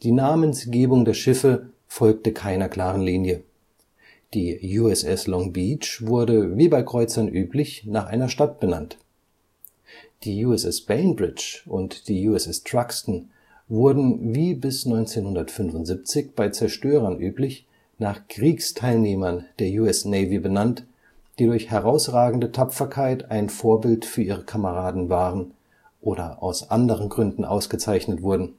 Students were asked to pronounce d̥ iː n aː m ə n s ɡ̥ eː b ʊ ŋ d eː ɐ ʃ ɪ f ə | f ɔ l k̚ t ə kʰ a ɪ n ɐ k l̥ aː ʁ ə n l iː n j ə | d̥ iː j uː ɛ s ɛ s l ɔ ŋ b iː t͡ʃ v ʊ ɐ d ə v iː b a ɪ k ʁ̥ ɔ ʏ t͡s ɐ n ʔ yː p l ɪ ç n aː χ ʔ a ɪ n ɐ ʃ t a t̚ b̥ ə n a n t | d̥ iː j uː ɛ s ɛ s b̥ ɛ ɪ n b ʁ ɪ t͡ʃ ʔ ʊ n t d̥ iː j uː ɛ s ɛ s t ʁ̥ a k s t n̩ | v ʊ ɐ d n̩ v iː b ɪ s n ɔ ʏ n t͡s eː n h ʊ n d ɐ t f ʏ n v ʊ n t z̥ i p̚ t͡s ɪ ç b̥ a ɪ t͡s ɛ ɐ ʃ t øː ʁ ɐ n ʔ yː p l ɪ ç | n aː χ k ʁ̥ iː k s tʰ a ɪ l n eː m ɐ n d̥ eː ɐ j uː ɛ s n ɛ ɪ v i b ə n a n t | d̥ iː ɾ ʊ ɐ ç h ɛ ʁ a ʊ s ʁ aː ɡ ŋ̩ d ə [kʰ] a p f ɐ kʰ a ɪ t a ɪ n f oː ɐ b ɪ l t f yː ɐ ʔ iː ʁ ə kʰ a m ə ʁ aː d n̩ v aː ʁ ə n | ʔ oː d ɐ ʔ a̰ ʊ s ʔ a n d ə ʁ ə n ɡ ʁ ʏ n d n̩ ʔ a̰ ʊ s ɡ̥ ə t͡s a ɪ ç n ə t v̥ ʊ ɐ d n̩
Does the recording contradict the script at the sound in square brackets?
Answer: yes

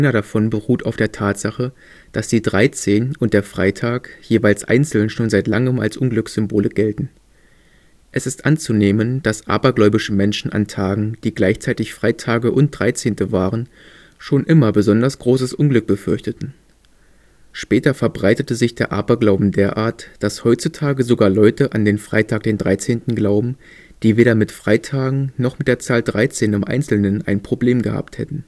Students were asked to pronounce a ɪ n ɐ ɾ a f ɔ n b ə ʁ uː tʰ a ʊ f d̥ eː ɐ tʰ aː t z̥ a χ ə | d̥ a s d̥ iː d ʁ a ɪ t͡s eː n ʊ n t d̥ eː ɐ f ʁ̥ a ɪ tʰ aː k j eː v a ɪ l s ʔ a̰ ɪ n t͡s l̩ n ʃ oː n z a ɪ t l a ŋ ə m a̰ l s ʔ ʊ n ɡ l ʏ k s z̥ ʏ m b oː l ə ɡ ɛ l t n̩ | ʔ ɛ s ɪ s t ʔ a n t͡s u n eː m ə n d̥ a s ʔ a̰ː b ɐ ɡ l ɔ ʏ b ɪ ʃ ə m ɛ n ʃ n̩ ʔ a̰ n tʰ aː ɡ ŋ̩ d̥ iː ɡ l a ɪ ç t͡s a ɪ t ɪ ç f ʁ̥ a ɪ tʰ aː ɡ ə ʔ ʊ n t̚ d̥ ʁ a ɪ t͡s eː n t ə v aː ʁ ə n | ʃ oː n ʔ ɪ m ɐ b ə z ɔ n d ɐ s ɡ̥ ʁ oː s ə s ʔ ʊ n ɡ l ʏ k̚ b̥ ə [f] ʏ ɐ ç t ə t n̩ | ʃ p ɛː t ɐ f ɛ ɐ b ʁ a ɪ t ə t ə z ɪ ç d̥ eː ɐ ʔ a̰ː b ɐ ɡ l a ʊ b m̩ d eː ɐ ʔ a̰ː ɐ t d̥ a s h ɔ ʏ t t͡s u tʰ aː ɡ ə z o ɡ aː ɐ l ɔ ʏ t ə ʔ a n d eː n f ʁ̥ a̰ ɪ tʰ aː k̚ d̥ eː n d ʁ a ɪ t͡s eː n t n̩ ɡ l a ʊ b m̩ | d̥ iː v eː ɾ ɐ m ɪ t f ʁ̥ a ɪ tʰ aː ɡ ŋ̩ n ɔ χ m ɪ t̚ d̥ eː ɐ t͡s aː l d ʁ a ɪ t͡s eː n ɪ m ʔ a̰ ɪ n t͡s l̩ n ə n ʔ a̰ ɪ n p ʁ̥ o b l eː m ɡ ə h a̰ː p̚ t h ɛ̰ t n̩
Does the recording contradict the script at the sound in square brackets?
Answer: no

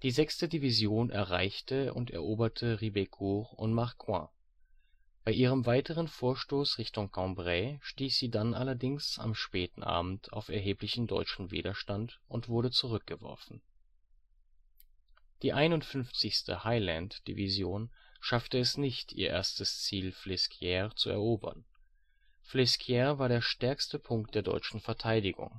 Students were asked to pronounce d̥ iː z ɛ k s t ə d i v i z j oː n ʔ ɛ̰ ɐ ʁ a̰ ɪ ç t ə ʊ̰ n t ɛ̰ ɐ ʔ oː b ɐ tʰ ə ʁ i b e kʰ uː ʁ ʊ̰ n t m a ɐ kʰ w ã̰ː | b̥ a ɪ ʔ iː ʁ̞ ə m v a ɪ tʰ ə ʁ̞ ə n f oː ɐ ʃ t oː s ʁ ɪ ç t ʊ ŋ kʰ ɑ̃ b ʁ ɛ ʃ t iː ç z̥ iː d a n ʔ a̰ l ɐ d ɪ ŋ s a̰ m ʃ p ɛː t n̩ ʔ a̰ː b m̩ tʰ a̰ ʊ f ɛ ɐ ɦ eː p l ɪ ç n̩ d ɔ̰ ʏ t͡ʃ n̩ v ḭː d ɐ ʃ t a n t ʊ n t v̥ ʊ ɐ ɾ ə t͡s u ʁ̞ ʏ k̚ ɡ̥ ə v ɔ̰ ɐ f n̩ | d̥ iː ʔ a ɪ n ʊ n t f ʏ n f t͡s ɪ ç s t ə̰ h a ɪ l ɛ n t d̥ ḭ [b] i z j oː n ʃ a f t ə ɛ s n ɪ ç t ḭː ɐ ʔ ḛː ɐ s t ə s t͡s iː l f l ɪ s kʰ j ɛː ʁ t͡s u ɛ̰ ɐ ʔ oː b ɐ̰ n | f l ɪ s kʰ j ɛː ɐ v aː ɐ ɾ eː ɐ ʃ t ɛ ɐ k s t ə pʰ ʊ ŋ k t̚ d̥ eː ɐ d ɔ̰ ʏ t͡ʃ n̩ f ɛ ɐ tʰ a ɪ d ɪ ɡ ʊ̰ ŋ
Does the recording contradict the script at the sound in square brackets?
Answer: yes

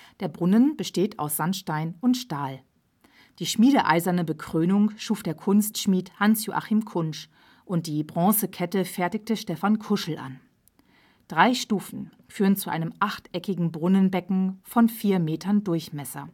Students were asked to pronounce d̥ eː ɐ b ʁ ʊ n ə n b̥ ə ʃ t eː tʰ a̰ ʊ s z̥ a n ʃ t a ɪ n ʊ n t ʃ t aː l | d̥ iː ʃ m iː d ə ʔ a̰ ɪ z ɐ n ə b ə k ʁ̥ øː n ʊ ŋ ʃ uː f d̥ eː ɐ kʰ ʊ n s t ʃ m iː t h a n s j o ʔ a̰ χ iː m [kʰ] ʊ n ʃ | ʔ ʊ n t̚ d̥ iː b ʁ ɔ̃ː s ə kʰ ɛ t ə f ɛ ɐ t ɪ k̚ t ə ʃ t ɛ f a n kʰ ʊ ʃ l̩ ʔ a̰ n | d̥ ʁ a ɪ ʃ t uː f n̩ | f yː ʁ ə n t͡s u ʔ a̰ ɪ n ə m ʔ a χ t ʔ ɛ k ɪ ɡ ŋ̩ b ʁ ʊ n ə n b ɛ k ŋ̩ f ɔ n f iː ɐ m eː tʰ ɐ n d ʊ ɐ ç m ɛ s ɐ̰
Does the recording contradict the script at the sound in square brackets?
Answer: no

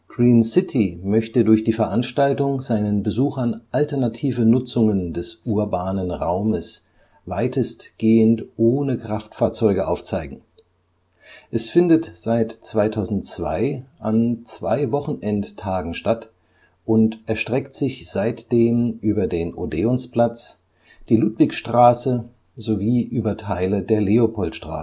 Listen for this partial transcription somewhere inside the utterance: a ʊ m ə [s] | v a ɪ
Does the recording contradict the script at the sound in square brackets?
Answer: no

